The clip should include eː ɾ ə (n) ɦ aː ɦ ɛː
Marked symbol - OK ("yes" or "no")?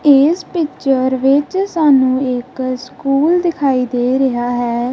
no